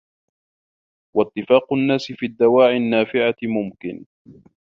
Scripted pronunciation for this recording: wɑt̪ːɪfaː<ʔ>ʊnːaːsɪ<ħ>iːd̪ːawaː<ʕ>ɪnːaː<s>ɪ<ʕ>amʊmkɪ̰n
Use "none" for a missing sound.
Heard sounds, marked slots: q, f, ʕ, f, ʕ

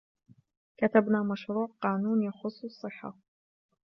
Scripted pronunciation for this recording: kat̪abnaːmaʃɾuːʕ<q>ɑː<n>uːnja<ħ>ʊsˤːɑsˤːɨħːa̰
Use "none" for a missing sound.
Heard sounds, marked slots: q, n, x

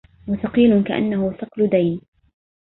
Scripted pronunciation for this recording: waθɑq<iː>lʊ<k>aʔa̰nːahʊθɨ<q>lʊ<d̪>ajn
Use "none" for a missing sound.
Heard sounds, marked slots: iː, k, q, d̪

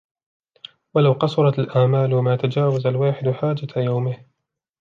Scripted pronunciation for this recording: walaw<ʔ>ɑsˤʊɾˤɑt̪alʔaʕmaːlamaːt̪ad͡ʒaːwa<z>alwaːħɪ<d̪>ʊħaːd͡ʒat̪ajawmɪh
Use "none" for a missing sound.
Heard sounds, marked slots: q, z, d̪

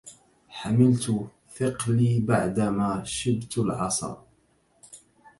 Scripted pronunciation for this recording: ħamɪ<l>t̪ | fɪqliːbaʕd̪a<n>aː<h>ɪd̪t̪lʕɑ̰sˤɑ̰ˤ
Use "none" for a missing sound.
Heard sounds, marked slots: l, m, ʃ

